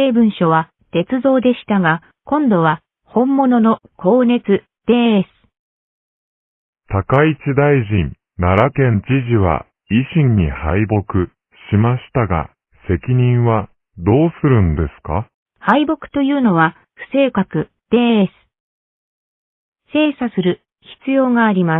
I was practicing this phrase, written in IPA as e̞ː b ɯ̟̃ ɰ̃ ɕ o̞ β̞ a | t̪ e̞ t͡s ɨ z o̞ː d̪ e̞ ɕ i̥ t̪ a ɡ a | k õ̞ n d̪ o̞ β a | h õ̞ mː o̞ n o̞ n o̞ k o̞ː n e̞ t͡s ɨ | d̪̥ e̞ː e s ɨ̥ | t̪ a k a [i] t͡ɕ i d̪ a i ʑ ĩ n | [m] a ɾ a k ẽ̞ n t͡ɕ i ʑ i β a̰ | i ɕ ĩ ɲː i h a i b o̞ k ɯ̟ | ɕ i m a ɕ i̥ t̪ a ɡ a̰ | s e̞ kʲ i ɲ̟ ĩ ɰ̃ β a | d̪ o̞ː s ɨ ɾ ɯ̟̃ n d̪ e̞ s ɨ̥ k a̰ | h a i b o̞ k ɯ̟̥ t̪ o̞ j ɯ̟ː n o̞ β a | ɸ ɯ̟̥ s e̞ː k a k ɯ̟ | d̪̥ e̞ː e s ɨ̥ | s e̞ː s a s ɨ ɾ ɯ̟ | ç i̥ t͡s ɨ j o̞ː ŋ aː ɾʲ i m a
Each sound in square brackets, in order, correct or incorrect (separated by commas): correct, incorrect